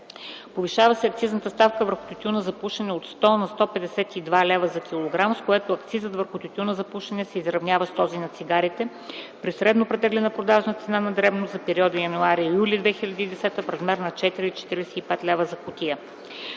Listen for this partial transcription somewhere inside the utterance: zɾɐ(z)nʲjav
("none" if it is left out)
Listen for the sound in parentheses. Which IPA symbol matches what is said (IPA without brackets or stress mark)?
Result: v